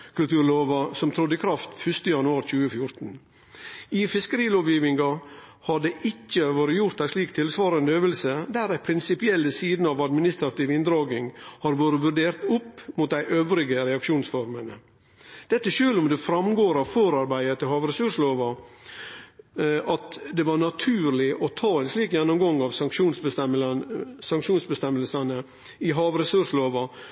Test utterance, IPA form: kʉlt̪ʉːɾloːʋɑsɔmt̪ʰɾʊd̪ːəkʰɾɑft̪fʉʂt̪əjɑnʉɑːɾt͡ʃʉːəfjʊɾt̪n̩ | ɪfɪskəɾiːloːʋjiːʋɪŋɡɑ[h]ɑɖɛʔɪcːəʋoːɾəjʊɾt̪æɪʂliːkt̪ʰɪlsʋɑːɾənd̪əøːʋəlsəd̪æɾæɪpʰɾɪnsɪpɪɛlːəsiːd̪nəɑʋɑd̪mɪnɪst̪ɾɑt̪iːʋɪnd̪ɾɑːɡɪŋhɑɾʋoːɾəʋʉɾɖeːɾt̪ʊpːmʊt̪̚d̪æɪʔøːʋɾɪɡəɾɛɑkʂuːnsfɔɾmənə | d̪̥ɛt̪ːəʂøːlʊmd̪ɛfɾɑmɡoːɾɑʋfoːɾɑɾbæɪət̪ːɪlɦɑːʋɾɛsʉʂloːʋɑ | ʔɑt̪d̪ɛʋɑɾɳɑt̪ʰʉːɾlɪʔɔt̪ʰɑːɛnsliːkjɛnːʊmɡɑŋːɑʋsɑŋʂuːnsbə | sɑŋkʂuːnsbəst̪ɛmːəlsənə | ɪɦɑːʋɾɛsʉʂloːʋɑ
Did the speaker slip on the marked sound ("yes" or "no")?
no